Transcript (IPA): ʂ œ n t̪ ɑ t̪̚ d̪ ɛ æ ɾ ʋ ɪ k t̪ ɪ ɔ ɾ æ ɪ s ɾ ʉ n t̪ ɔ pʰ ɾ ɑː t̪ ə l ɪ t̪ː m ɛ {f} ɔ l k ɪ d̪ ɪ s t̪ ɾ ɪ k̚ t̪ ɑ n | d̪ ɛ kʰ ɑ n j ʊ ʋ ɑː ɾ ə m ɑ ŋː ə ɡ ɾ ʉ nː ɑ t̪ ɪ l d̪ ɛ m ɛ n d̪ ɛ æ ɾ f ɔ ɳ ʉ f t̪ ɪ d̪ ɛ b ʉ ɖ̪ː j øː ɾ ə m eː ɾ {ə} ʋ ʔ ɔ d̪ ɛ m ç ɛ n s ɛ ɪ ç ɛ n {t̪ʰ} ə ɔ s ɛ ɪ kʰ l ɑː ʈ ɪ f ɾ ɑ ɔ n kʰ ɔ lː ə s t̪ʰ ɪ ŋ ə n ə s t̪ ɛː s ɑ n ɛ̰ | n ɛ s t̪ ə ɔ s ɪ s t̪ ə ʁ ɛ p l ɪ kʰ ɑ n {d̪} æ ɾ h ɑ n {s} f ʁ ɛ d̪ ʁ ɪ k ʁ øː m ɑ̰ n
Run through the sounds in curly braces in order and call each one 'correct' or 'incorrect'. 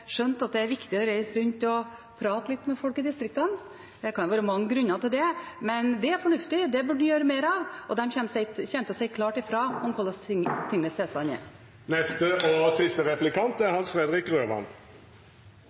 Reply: correct, incorrect: ɑ, incorrect: t̪, incorrect: t̪, correct

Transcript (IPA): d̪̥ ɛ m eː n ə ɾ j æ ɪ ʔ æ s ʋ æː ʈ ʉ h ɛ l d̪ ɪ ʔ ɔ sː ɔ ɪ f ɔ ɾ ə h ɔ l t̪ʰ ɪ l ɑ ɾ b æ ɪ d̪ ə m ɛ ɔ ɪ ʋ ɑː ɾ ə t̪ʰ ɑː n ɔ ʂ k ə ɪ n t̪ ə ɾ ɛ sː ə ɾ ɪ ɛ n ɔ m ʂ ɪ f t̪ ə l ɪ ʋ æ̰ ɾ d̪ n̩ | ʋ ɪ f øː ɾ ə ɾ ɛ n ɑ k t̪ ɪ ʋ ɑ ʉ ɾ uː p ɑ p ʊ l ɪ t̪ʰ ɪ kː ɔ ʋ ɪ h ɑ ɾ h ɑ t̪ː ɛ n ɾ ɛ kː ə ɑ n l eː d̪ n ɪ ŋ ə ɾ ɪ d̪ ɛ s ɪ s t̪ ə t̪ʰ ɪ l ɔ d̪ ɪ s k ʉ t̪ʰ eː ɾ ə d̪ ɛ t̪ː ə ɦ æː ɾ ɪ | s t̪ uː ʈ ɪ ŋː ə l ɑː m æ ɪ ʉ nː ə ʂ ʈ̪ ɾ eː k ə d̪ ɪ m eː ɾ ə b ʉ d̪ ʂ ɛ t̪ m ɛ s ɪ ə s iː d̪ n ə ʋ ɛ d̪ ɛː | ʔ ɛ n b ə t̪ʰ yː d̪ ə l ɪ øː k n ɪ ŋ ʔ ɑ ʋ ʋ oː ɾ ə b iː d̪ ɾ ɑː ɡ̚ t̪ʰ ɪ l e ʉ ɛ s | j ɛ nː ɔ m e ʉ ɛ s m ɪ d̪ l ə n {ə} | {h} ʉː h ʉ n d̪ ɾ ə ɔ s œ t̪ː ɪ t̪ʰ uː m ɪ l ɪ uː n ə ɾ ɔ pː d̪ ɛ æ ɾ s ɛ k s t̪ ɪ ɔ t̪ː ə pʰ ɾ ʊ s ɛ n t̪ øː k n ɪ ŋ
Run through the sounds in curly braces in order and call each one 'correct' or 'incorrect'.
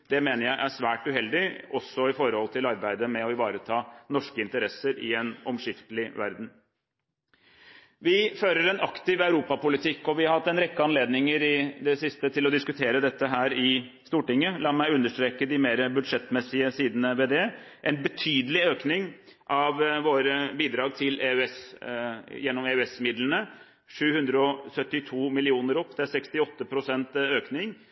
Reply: correct, incorrect: ʂ

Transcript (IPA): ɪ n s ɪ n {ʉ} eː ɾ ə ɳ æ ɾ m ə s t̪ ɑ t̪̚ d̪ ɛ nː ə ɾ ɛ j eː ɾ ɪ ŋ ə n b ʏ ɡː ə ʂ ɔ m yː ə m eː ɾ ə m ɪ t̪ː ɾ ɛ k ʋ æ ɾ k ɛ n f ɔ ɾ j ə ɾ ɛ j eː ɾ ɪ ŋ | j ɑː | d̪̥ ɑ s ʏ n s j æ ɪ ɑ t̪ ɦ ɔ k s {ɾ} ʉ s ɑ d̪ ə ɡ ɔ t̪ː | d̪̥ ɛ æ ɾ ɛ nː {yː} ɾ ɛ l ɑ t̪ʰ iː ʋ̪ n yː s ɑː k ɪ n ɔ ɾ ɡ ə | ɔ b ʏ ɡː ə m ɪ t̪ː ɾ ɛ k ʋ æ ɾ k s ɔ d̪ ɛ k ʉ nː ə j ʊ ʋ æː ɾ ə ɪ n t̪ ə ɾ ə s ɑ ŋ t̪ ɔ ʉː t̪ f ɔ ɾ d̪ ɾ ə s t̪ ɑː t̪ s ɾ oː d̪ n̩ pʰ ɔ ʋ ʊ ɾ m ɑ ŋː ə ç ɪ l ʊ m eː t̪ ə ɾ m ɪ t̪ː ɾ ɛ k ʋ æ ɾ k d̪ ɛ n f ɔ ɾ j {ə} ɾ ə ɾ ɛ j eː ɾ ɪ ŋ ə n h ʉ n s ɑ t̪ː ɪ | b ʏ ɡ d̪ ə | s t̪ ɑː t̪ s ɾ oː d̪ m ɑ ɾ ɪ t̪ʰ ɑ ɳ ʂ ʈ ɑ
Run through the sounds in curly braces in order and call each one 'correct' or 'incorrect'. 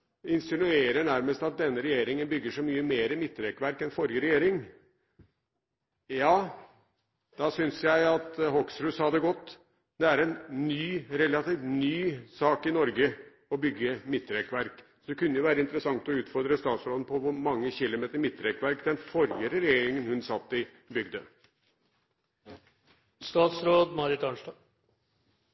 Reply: correct, correct, correct, correct

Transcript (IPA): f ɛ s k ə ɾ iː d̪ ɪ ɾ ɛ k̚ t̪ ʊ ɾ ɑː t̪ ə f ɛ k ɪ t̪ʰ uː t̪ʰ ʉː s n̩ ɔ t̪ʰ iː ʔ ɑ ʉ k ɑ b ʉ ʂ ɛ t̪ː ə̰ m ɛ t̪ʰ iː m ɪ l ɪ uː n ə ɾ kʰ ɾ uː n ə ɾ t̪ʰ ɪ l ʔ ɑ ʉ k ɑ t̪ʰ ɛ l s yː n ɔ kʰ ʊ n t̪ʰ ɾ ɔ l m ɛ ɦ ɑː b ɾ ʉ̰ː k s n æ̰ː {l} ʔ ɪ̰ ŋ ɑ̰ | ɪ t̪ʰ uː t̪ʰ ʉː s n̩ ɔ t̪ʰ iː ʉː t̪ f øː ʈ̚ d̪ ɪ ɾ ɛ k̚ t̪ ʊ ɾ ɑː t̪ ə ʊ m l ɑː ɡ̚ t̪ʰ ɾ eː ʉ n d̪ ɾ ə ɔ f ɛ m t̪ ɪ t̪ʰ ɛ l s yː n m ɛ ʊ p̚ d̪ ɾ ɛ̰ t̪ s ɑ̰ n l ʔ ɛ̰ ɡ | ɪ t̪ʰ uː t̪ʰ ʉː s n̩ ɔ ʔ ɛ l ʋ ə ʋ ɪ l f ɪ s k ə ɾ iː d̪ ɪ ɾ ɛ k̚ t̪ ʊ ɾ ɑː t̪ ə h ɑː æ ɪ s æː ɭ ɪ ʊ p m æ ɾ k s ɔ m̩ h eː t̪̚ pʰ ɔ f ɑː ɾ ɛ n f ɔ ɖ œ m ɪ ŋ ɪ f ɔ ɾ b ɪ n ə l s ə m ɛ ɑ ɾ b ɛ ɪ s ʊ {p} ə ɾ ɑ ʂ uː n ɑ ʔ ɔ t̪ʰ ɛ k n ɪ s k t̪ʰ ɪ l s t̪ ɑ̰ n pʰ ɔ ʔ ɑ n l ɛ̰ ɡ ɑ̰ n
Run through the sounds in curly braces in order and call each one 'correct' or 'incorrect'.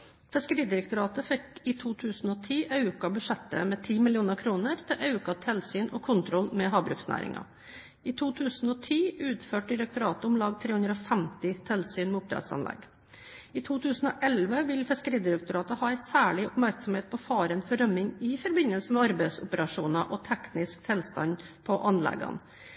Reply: incorrect: ɾ, correct

